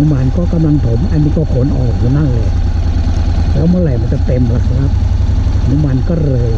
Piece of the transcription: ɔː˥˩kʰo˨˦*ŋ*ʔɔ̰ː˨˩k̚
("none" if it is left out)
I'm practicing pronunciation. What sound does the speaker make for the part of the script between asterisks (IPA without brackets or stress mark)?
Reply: n